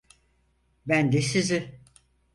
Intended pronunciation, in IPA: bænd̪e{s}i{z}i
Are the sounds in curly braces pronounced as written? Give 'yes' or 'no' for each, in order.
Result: yes, yes

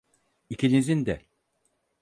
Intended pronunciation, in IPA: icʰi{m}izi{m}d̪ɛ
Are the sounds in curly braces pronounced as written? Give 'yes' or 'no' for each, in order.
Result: no, no

